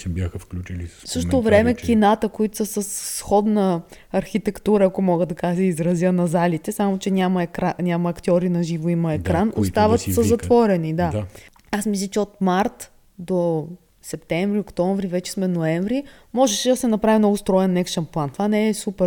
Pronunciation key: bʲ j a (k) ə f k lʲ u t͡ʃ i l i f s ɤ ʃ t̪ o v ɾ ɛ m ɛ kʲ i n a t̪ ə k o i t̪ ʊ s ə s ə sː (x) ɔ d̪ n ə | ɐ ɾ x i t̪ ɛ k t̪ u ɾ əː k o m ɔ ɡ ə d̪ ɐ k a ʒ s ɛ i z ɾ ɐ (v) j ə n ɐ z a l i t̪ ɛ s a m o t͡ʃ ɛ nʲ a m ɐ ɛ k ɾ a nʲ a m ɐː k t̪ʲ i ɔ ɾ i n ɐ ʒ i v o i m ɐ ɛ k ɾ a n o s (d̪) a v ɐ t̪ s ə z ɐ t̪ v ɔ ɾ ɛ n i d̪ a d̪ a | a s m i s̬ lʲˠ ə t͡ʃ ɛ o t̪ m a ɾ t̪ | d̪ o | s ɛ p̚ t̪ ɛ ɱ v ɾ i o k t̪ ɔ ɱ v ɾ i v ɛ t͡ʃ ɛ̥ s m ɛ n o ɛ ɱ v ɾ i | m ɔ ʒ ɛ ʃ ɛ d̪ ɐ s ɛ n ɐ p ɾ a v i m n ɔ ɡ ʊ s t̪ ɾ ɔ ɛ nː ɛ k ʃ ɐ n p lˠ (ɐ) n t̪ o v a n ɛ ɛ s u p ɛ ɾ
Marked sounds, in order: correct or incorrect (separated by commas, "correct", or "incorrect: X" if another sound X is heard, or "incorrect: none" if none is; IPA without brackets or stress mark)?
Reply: incorrect: x, correct, incorrect: z, incorrect: t̪, incorrect: a